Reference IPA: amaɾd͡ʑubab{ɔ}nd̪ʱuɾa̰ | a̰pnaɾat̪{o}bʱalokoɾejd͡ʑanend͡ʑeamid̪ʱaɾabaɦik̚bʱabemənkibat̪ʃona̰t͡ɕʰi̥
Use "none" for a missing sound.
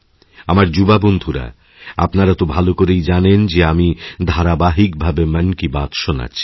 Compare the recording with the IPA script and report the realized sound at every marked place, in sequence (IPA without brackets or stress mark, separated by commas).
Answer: o, o